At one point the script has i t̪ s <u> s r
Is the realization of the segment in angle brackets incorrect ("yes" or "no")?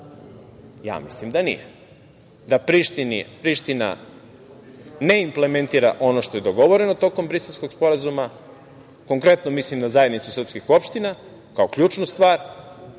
no